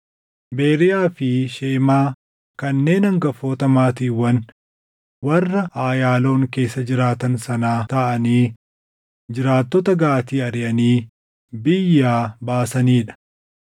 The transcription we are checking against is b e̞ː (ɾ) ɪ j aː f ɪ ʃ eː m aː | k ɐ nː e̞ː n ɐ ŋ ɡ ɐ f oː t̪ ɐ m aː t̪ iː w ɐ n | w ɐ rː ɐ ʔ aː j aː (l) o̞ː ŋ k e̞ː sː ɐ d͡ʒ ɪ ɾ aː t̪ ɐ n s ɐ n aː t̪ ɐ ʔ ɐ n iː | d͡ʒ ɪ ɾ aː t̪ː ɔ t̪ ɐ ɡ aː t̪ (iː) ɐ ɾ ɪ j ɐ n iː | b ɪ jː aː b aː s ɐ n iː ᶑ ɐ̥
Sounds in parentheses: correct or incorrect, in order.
correct, correct, correct

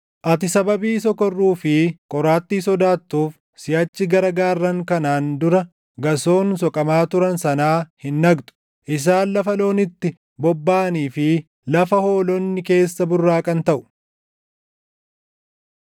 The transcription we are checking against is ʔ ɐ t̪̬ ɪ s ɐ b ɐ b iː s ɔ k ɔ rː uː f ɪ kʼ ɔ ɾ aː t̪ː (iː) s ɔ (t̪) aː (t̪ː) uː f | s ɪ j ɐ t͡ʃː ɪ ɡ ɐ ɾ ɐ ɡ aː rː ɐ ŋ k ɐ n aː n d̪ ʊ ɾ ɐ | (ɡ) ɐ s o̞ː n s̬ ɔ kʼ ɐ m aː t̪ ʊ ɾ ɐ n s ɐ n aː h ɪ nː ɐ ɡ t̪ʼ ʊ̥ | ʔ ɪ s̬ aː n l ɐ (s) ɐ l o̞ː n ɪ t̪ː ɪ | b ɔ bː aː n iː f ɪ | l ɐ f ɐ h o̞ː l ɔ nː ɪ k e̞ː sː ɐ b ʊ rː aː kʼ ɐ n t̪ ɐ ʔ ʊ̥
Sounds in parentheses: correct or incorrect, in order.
correct, incorrect, correct, correct, incorrect

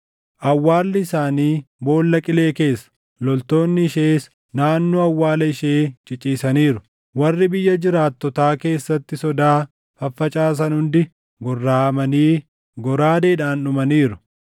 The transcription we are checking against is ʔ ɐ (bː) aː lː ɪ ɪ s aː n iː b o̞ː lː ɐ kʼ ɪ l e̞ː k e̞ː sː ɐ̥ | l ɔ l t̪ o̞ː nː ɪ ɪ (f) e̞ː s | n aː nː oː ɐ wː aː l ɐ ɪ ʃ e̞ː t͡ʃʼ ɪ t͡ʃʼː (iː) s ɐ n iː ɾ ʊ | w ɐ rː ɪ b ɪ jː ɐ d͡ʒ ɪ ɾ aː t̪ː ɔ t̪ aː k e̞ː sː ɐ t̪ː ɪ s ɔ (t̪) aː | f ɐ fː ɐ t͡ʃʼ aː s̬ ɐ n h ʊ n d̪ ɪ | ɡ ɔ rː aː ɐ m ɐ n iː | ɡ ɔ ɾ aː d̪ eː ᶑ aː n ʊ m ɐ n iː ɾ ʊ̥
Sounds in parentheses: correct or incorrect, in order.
incorrect, incorrect, correct, incorrect

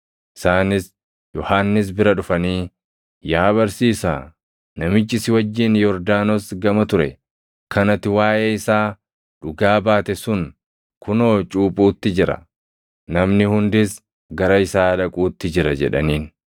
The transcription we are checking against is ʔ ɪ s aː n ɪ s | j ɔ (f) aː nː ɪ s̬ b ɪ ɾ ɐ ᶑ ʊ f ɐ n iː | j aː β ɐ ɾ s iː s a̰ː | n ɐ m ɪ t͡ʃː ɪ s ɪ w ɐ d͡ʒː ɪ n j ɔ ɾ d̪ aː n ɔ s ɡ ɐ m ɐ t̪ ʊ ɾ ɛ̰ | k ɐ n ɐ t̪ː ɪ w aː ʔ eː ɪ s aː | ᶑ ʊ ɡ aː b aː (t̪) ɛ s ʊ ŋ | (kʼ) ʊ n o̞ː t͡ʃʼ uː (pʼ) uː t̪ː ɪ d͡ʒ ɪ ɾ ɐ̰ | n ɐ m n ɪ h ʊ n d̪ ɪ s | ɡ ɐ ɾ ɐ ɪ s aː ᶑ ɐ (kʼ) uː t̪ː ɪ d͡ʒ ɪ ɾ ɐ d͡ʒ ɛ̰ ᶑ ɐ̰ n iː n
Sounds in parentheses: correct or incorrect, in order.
incorrect, correct, incorrect, correct, correct

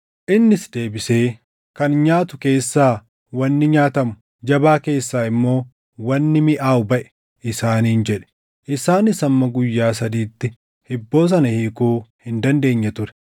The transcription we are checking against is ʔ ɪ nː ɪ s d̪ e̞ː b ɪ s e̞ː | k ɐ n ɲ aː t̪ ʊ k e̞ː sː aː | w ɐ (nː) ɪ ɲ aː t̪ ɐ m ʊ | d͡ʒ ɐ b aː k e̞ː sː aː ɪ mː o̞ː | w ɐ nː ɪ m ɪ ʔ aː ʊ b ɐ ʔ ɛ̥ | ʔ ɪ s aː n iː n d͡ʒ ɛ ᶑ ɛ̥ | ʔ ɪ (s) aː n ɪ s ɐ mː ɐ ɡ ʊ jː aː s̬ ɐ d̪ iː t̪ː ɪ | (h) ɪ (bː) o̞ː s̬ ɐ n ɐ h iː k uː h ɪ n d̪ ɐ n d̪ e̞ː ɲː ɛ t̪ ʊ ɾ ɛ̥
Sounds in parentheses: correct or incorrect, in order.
correct, correct, correct, correct

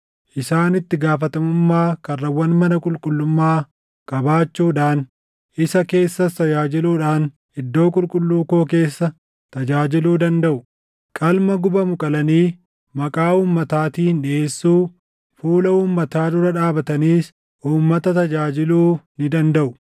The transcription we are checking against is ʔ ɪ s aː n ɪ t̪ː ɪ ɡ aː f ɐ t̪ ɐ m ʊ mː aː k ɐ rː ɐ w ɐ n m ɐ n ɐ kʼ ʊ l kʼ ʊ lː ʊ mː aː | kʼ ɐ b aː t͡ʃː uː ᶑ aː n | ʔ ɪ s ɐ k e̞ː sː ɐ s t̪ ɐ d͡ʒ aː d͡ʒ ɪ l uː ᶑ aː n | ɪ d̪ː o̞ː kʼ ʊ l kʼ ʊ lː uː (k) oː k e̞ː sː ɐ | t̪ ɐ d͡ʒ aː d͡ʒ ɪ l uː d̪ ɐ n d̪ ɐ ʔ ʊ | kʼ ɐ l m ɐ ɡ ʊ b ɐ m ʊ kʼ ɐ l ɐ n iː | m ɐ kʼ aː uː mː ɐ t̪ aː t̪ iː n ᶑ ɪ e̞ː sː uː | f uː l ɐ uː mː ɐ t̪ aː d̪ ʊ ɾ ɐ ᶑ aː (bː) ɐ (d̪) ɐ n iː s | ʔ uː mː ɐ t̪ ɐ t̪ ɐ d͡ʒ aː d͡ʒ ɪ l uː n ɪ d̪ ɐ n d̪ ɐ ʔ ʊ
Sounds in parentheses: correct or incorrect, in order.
correct, incorrect, incorrect

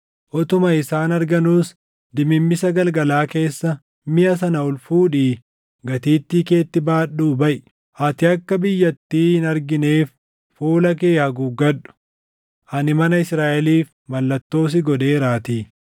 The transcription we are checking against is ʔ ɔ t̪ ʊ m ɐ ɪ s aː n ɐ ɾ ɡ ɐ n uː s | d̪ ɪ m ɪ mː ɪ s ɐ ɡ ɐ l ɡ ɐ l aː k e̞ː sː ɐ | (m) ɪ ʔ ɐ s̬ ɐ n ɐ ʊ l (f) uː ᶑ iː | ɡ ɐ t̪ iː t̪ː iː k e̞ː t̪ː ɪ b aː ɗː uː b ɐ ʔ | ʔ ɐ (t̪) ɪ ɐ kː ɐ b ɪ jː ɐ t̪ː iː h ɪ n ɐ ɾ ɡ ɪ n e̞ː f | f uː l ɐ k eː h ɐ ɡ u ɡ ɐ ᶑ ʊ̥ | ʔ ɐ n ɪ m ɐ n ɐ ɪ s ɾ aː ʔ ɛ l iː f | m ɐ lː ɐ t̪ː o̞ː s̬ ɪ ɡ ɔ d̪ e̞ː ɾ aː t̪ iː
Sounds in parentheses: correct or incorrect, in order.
correct, correct, correct

